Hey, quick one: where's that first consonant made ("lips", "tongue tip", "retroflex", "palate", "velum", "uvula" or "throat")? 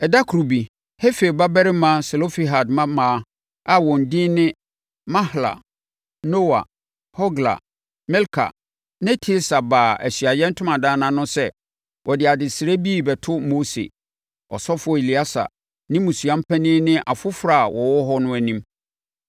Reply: tongue tip